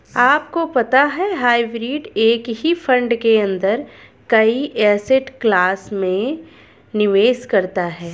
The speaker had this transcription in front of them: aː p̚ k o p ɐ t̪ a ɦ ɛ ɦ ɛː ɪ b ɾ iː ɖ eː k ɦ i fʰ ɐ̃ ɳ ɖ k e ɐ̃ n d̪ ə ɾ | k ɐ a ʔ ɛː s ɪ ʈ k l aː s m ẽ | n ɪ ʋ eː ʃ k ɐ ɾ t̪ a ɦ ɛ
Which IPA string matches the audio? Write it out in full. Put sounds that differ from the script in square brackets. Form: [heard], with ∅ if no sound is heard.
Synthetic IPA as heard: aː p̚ k o p ɐ t̪ a ɦ ɛ ɦ [aː] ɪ b ɾ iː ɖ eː k ɦ i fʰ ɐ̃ ɳ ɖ k e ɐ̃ n d̪ ə ɾ | k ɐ [i] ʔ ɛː s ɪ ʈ k l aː s m ẽ | n ɪ ʋ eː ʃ k ɐ ɾ t̪ a ɦ [ɛː]